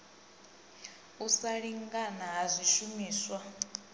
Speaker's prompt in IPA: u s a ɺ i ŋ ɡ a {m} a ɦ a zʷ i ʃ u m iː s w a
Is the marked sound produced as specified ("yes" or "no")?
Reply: no